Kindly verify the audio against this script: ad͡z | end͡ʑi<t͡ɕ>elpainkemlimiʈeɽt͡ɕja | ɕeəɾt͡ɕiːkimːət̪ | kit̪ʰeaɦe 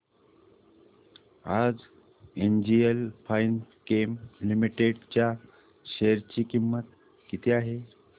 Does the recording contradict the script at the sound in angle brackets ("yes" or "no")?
yes